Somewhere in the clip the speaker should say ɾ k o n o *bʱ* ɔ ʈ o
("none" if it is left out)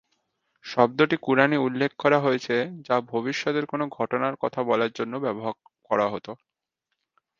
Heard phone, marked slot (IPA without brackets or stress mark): ɡʱ